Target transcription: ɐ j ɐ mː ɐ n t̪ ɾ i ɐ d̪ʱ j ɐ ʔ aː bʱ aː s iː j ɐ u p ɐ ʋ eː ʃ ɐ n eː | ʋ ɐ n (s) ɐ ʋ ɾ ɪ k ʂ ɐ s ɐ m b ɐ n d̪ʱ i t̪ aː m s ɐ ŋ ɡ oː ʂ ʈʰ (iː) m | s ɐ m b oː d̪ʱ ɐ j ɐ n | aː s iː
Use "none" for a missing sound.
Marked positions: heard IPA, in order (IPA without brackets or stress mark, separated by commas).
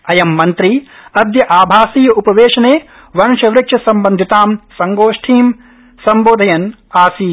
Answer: ʃ, iː